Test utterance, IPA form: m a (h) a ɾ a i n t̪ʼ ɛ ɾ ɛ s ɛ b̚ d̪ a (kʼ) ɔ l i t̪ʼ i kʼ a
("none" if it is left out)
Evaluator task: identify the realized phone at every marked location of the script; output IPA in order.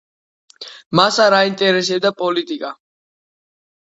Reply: s, pʼ

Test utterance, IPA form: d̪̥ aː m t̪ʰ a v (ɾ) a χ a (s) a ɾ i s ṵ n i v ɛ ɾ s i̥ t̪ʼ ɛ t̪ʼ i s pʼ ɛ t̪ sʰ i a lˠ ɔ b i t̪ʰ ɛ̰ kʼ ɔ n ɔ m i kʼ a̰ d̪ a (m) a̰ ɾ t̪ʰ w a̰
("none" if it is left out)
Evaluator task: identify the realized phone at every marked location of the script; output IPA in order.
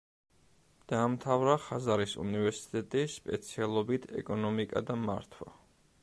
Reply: ɾ, z, m

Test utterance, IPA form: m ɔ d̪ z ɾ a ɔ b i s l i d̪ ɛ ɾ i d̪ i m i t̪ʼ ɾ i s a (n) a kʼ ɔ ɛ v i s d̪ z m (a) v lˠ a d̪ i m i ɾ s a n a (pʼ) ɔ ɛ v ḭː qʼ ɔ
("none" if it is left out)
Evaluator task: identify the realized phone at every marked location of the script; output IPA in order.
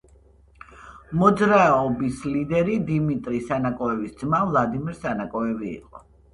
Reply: n, a, kʼ

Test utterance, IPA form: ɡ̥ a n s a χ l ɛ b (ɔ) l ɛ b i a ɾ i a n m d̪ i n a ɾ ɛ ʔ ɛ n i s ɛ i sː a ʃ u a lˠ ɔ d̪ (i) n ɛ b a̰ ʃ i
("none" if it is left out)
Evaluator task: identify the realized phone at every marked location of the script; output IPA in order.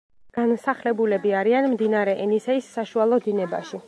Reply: u, i

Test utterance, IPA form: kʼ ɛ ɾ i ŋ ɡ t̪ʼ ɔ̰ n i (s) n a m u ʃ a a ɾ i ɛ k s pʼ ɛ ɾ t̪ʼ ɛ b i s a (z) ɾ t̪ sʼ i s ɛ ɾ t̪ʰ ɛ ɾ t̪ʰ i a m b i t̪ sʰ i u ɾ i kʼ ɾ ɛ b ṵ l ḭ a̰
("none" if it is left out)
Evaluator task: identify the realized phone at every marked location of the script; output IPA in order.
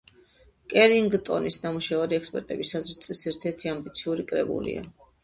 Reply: s, z

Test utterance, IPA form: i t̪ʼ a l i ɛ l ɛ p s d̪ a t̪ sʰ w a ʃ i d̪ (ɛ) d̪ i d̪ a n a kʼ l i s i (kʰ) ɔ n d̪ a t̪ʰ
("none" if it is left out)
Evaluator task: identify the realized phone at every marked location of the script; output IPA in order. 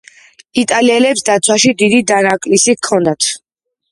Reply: i, kʰ

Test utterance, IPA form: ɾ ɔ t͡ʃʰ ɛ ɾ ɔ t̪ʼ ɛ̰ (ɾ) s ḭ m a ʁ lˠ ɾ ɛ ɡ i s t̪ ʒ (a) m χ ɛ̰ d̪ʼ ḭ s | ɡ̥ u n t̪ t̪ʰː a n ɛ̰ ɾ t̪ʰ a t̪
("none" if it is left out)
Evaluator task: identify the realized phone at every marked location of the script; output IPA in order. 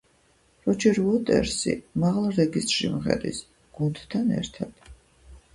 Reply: ɾ, i

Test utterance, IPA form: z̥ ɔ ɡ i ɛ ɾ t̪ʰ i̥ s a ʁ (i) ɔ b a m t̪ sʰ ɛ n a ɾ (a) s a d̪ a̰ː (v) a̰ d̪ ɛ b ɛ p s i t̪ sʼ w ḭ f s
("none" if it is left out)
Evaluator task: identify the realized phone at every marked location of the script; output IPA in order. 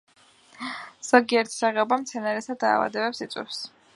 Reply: ɛ, ɛ, v

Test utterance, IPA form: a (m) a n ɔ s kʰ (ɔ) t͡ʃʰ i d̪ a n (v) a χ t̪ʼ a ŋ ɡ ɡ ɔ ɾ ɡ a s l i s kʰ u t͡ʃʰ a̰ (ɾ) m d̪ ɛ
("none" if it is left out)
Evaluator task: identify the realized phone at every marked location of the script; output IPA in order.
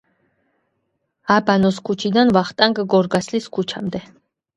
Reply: b, u, v, none

